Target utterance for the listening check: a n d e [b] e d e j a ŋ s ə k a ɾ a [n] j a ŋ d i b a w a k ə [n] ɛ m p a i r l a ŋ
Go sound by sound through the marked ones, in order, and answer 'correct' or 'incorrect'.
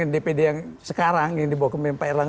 incorrect, incorrect, incorrect

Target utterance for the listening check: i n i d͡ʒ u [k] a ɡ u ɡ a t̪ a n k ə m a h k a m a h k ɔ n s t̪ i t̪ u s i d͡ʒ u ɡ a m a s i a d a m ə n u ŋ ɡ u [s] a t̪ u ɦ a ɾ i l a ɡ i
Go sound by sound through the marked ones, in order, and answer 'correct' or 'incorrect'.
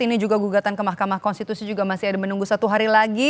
incorrect, correct

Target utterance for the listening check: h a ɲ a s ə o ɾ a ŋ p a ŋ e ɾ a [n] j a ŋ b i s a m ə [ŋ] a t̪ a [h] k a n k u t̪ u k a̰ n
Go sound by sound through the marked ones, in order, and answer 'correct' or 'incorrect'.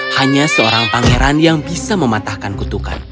correct, incorrect, correct

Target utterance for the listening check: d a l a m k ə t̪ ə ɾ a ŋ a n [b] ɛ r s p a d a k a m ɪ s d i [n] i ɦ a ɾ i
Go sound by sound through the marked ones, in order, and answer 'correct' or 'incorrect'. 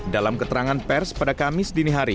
incorrect, correct

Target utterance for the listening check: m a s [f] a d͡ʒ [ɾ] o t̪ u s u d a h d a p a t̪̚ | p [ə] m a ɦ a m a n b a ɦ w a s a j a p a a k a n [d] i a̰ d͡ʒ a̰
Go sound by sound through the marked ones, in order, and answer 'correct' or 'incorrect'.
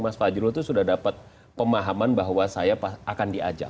correct, correct, correct, correct

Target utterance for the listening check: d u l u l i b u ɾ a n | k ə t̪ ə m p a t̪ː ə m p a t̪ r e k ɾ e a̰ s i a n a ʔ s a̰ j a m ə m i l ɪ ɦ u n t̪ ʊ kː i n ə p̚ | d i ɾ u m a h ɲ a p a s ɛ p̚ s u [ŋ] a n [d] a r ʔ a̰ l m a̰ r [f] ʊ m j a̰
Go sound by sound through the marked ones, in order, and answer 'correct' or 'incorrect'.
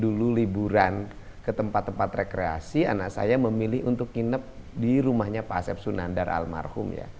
incorrect, correct, incorrect

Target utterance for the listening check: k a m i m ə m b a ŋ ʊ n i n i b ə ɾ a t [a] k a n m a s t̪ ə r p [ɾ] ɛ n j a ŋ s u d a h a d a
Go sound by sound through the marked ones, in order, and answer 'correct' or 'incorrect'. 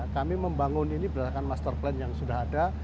correct, incorrect

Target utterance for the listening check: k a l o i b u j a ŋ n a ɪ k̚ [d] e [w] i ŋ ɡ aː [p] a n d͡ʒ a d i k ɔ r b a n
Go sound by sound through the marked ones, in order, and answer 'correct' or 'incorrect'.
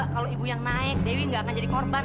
correct, correct, incorrect

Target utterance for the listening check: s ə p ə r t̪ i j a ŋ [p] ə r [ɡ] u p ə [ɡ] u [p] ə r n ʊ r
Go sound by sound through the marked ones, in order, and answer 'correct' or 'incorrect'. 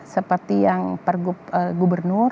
correct, correct, correct, incorrect

